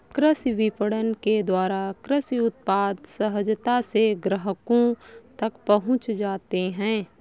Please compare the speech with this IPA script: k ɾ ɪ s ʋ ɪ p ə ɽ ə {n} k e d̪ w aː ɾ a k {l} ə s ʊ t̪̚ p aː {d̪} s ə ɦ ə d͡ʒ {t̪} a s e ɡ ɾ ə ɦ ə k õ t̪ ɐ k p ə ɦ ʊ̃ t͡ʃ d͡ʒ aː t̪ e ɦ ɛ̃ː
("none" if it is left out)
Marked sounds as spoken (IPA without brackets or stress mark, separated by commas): n, ɾ, d̪, t̪